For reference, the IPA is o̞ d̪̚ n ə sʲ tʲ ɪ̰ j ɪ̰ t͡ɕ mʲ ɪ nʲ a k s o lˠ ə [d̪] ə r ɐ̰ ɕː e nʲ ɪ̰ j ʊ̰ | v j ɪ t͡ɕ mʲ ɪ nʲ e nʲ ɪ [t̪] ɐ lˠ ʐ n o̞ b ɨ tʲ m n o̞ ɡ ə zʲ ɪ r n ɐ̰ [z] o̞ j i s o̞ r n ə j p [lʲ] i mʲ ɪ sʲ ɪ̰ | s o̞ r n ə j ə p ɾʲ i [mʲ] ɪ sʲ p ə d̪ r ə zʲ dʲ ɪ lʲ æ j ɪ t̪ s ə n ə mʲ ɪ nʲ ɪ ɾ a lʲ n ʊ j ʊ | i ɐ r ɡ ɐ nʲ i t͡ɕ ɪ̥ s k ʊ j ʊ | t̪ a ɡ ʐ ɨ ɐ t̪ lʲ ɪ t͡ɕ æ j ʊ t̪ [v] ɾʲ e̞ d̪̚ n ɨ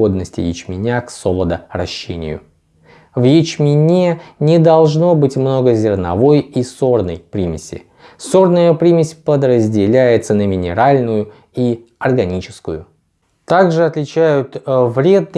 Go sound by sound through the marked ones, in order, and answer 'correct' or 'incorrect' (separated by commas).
correct, incorrect, incorrect, incorrect, correct, correct